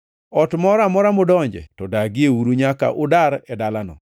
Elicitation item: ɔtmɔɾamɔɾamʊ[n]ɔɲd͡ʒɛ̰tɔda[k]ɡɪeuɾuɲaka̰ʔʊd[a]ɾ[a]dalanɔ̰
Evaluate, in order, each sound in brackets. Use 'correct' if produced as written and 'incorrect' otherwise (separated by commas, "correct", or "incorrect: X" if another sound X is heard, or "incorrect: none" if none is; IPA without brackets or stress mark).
incorrect: d, incorrect: none, correct, incorrect: ɛ